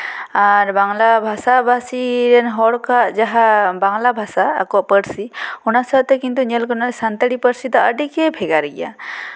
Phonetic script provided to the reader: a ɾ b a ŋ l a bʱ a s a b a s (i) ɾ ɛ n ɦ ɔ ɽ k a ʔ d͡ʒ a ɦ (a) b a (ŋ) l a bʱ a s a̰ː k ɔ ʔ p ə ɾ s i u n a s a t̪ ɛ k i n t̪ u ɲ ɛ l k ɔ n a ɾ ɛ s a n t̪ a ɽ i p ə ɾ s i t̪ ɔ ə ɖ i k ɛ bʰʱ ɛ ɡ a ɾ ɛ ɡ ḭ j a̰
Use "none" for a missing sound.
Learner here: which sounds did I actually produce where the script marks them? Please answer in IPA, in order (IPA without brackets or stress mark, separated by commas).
i, a, ŋ